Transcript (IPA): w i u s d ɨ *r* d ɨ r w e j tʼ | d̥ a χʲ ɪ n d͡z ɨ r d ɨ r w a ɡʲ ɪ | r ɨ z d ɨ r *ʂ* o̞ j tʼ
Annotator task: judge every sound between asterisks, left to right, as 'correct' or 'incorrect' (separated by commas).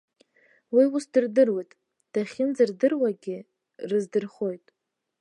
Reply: correct, incorrect